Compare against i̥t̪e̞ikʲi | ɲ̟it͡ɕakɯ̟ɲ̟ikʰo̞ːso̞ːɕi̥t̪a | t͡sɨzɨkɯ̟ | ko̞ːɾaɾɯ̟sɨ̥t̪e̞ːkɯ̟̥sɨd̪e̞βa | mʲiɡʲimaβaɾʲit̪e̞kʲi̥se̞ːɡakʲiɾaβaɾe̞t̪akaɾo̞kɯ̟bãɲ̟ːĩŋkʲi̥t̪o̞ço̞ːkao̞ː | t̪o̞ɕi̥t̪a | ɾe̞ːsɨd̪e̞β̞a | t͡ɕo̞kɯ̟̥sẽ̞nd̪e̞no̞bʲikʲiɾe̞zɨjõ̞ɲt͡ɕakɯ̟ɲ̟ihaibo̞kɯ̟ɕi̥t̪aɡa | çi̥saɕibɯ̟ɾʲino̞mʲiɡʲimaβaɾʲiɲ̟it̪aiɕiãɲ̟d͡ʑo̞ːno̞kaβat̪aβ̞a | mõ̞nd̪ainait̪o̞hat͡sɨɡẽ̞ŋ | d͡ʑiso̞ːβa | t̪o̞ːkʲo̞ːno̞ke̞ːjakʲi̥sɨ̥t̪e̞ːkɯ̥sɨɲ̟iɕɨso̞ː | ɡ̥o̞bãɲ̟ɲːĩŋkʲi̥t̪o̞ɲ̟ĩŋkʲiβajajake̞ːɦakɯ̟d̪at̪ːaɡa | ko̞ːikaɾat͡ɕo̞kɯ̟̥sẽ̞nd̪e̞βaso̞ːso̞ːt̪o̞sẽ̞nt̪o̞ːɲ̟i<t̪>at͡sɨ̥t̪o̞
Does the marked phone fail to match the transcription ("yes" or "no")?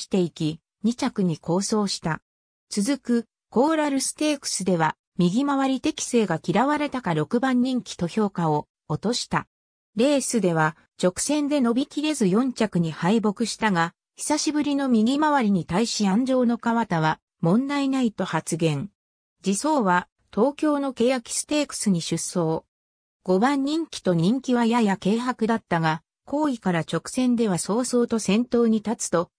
no